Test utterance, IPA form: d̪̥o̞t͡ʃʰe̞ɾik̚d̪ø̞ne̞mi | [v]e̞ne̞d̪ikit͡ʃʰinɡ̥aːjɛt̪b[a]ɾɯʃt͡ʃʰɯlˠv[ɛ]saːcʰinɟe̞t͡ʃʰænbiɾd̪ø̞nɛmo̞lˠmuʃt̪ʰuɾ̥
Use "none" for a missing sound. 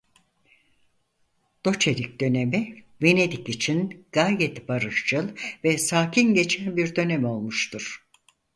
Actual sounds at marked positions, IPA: v, a, ɛ

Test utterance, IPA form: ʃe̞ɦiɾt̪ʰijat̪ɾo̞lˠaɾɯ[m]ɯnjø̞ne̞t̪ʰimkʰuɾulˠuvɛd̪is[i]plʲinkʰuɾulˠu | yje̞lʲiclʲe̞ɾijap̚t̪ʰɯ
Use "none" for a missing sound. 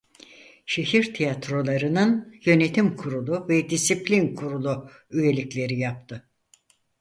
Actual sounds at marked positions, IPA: n, i

